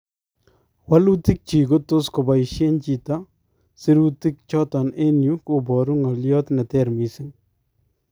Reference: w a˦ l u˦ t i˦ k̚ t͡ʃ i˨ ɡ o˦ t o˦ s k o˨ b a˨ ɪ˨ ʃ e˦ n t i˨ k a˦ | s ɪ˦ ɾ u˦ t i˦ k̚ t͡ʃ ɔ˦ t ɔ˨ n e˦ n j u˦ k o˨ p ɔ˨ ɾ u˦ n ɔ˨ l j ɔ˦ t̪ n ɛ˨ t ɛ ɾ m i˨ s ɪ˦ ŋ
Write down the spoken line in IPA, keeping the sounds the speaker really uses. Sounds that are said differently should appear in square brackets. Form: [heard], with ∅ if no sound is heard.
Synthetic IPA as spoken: w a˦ l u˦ t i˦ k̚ t͡ʃ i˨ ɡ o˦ t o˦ s k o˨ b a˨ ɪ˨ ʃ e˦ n [t͡ʃ] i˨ [t] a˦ | s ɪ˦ ɾ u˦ t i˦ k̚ t͡ʃ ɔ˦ t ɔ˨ n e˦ n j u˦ k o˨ [b] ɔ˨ ɾ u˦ [ŋ] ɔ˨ l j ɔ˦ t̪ n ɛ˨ t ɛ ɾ m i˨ s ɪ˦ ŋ